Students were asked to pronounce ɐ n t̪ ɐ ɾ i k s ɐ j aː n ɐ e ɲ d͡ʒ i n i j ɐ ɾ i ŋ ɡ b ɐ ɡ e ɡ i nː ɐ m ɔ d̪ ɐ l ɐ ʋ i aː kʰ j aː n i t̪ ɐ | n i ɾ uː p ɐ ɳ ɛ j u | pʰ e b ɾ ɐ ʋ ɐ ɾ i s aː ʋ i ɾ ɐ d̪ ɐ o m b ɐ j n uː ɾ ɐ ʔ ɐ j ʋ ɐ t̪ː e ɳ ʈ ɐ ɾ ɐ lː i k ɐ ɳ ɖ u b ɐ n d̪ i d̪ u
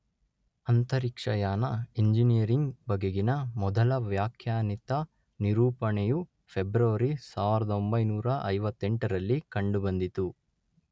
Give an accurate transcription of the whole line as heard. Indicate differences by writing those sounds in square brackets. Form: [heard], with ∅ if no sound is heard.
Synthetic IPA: ɐ n t̪ ɐ ɾ i k [ʂ] ɐ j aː n ɐ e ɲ d͡ʒ i n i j ɐ ɾ i ŋ ɡ b ɐ ɡ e ɡ i [n] ɐ m ɔ d̪ ɐ l ɐ ʋ [j] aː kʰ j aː n i t̪ ɐ | n i ɾ uː p ɐ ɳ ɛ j u | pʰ e b ɾ ɐ ʋ ɐ ɾ i s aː ʋ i ɾ ɐ d̪ ɐ o m b ɐ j n uː ɾ ɐ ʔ ɐ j ʋ ɐ t̪ː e ɳ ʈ ɐ ɾ ɐ lː i k ɐ ɳ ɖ u b ɐ n d̪ i [t̪] u